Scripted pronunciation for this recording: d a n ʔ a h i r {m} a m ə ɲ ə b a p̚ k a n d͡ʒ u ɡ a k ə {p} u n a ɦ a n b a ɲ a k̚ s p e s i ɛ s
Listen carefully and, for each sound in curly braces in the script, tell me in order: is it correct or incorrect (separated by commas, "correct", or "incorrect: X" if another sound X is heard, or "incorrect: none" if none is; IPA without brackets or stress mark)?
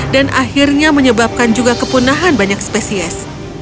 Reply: incorrect: ɲ, correct